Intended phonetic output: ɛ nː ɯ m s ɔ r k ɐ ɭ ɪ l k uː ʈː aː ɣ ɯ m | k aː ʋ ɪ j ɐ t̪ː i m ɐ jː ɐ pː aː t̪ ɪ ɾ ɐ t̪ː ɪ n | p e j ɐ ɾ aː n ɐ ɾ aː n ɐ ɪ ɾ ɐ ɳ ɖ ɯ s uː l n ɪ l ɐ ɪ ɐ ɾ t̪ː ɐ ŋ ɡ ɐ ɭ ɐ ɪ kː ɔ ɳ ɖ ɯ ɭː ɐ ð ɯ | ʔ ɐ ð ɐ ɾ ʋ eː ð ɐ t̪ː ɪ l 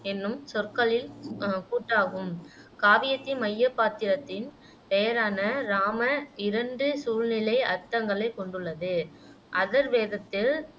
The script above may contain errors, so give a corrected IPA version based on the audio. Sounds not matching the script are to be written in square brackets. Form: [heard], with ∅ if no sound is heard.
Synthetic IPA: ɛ nː ɯ m s ɔ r k ɐ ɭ ɪ l k uː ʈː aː ɣ ɯ m | k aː ʋ ɪ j ɐ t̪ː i m ɐ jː ɐ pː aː t̪ ɪ ɾ ɐ t̪ː ɪ n | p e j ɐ ɾ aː n ɐ ɾ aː [m] ɐ ɪ ɾ ɐ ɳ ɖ ɯ s uː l n ɪ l ɐ ɪ ɐ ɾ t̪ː ɐ ŋ ɡ ɐ ɭ ɐ ɪ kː ɔ ɳ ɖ ɯ ɭː ɐ ð ɯ | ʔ ɐ ð ɐ ɾ ʋ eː ð ɐ t̪ː ɪ l